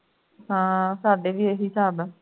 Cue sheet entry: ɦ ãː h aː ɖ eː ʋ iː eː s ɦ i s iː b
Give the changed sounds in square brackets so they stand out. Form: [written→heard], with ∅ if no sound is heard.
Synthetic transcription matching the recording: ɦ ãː [h→s] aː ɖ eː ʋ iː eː [s→∅] ɦ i s [iː→aː] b

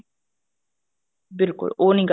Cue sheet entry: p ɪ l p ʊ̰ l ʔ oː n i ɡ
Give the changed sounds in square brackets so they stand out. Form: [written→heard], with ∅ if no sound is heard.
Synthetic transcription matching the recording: [p→b] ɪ l [p→k] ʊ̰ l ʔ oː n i ɡ

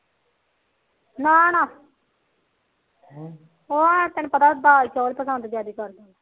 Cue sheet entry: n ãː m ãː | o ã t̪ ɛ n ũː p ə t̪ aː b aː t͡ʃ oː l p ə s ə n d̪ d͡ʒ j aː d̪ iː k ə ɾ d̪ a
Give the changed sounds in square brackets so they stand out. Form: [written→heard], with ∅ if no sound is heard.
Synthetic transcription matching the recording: n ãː [m→n] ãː | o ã t̪ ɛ n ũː p ə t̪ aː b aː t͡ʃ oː l p ə s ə n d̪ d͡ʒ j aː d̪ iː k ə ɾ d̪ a

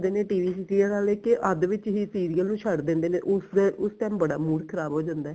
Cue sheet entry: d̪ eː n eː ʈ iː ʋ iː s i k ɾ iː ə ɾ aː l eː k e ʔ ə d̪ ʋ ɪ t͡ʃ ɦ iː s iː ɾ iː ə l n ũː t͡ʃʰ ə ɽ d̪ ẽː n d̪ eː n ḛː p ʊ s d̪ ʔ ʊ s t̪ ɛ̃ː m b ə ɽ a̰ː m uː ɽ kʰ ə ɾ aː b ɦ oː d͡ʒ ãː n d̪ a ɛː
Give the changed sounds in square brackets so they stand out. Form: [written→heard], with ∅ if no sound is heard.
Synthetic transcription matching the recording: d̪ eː n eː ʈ iː ʋ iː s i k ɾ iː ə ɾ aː l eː k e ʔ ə d̪ ʋ ɪ t͡ʃ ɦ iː s iː ɾ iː ə l n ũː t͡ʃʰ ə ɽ d̪ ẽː n d̪ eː n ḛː [p→ʔ] ʊ s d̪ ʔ ʊ s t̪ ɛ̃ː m b ə ɽ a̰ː m uː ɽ kʰ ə ɾ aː b ɦ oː d͡ʒ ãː n d̪ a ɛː

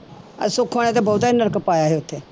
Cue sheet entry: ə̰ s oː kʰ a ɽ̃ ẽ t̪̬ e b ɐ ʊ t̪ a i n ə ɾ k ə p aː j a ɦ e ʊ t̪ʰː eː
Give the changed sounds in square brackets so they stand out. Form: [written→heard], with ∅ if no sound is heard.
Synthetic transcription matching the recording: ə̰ s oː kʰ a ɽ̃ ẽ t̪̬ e b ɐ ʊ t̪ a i n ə ɾ k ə p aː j a ɦ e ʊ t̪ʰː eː

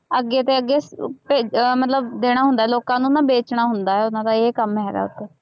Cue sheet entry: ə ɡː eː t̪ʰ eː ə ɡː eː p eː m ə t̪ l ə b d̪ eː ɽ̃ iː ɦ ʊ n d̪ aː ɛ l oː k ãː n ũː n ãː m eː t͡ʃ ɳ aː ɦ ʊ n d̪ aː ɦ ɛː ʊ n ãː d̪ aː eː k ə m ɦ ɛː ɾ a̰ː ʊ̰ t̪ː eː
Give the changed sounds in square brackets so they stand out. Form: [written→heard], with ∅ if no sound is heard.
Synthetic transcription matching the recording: ə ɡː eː [t̪ʰ→t̪] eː ə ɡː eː p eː m ə t̪ l ə b d̪ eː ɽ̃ [iː→aː] ɦ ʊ n d̪ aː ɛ l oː k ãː n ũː n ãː [m→b] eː t͡ʃ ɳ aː ɦ ʊ n d̪ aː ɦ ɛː ʊ n ãː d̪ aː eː k ə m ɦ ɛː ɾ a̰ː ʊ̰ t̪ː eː

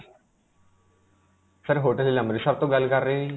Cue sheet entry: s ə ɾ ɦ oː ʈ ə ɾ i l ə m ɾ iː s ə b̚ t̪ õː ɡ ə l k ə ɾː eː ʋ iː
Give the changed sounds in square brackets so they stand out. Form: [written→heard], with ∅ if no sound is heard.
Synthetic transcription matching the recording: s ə ɾ ɦ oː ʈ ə [ɾ→l] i l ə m ɾ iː s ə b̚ t̪ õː ɡ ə l k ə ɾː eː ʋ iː

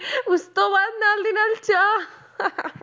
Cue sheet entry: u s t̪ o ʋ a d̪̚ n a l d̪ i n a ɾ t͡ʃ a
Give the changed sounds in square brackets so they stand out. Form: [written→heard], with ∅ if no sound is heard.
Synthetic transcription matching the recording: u s t̪ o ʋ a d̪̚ n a l d̪ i n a [ɾ→l] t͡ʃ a

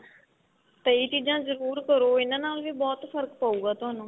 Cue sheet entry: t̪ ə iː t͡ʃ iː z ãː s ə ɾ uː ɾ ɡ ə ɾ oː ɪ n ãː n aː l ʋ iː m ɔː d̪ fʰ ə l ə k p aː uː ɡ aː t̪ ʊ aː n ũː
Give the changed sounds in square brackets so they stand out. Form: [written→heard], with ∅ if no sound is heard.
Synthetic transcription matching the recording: t̪ ə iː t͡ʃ iː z ãː [s→z] ə ɾ uː ɾ [ɡ→k] ə ɾ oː ɪ n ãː n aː l ʋ iː [m→b] ɔː [d̪→t̪] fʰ ə [l→ɾ] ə k p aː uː ɡ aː t̪ ʊ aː n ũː

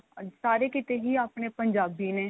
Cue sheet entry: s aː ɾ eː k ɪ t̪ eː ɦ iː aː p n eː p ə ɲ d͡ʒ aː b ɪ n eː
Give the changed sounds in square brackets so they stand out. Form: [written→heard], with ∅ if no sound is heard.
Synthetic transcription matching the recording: s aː ɾ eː k ɪ t̪ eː ɦ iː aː p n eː p ə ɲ d͡ʒ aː b [ɪ→i] n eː

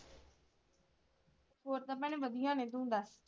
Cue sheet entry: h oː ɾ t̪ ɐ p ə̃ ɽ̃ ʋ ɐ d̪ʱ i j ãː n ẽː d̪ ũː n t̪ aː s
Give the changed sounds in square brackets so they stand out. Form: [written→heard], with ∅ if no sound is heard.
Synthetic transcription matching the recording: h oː ɾ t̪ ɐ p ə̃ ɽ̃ ʋ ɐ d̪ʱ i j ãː n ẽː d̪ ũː n [t̪→d̪] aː s

